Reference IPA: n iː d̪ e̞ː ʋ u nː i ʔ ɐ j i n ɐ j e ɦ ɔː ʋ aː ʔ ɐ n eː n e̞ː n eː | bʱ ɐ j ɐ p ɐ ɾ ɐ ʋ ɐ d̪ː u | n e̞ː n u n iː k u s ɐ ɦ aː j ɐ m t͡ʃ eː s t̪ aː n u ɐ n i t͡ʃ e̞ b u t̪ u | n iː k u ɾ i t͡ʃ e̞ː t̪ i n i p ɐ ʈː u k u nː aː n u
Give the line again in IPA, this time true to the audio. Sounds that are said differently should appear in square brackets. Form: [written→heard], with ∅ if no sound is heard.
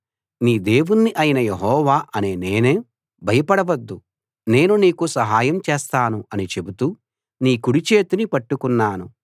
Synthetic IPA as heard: n iː d̪ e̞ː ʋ u nː i ʔ ɐ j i n ɐ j e ɦ ɔː ʋ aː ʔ ɐ n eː n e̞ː n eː | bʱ ɐ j ɐ p ɐ [ɾ→ɽ] ɐ ʋ ɐ d̪ː u | n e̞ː n u n iː k u s ɐ ɦ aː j ɐ m t͡ʃ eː s t̪ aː n u ɐ n i t͡ʃ e̞ b u t̪ u | n iː k u [ɾ→ɽ] i t͡ʃ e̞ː t̪ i n i p ɐ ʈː u k u nː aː n u